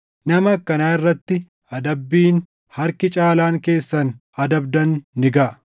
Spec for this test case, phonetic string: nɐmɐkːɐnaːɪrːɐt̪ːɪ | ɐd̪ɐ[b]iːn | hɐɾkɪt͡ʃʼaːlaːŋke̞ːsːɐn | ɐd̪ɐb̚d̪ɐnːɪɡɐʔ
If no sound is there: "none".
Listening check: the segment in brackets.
bː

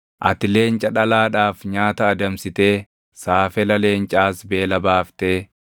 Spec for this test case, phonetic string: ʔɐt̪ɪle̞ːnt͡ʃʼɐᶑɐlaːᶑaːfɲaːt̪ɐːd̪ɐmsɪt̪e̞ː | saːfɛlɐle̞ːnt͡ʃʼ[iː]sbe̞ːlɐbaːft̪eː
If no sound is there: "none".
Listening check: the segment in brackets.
aː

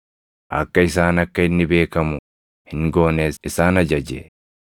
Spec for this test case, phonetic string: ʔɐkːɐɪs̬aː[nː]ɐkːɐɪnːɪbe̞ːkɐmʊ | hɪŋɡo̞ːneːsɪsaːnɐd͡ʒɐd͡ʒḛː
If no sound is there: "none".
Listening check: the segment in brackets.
n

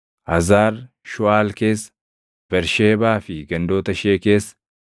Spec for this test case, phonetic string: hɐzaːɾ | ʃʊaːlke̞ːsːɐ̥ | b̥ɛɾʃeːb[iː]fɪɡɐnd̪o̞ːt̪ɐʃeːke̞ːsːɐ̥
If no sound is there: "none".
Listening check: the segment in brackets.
aː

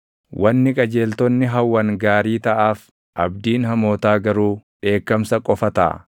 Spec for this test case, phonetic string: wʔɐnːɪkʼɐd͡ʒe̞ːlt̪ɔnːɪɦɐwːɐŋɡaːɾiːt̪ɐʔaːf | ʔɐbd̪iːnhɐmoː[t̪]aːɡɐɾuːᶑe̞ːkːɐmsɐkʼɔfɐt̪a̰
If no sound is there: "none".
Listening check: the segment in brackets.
t̪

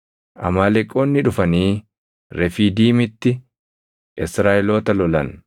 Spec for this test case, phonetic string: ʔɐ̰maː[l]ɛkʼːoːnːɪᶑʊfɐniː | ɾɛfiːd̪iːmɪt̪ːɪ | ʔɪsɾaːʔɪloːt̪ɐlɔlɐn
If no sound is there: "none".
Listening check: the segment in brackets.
l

